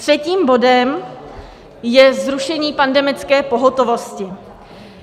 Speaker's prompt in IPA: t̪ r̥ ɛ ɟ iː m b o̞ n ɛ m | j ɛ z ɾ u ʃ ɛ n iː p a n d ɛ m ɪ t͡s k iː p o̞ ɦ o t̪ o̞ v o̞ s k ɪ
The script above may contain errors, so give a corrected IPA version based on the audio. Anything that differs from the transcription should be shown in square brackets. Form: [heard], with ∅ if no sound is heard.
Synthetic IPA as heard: t̪ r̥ ɛ [c] iː m b o̞ [d] ɛ m | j ɛ z ɾ u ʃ ɛ [ɲ] iː p a n d ɛ m ɪ t͡s k [ɛː] p o̞ ɦ o t̪ o̞ v o̞ s [c] ɪ